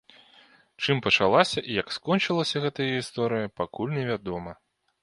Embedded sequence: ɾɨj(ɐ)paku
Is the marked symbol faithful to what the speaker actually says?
yes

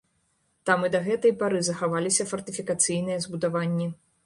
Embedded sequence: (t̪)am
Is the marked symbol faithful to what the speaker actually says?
yes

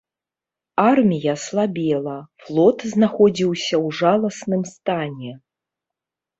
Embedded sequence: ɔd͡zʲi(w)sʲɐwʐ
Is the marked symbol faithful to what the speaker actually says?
yes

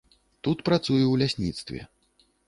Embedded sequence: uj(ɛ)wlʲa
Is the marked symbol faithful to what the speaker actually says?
yes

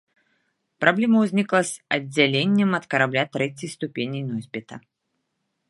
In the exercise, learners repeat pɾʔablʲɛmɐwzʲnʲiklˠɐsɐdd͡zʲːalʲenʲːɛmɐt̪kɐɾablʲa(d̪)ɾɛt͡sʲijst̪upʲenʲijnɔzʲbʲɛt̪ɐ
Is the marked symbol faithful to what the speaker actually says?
no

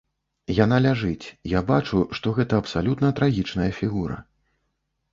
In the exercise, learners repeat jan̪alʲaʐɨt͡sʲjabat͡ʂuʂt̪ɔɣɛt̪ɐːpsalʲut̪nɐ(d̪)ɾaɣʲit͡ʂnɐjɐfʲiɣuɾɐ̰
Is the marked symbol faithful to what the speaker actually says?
no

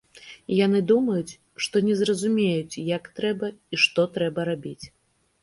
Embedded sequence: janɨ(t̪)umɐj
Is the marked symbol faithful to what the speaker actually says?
no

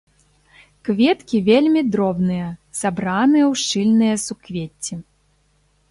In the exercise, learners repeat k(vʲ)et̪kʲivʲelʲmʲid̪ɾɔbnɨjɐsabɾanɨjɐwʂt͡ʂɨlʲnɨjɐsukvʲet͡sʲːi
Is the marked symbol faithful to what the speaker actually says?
yes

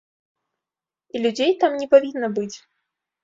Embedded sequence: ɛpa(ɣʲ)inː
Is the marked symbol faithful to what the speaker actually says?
no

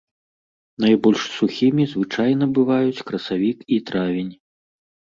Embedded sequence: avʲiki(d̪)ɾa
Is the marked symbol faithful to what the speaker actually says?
no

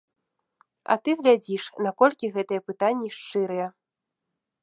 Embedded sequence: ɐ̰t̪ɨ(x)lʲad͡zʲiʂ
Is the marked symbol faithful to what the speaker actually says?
no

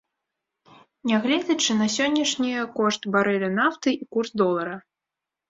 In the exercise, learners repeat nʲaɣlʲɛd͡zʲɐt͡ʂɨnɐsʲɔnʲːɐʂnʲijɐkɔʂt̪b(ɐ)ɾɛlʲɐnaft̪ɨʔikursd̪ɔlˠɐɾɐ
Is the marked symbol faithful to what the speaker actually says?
no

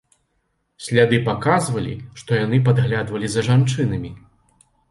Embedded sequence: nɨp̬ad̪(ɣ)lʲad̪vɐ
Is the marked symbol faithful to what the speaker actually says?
yes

